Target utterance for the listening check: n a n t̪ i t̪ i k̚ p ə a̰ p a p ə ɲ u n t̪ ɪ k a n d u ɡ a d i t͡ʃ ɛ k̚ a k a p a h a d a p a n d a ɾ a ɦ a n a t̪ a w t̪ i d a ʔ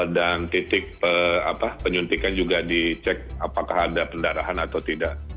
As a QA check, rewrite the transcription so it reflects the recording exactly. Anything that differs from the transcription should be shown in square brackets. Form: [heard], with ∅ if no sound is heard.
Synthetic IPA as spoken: [d] a n t̪ i t̪ [ɪ] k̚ p ə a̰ p a p ə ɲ u n t̪ [i] k a n [d͡ʒ] u ɡ a d i t͡ʃ ɛ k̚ a [p] a [k] a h a d a p [ə] n d a ɾ a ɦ a n a t̪ a w t̪ i d a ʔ